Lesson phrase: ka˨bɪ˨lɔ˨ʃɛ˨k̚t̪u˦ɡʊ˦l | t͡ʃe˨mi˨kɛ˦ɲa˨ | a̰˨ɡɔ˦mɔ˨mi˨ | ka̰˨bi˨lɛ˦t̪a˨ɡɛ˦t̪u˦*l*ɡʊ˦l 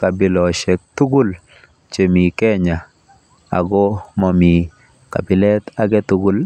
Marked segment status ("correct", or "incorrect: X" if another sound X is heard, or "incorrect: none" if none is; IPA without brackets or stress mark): incorrect: none